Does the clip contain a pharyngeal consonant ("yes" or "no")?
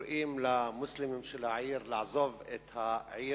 yes